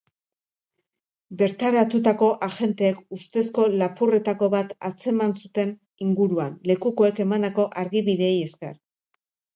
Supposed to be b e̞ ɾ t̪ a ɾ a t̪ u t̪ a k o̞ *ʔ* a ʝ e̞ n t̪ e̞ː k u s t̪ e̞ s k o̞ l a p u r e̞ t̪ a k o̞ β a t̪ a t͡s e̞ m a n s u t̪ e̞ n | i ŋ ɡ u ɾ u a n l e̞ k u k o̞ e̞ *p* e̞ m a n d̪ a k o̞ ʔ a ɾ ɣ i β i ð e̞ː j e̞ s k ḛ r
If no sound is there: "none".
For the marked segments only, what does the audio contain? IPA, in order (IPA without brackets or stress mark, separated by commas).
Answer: ʔ, k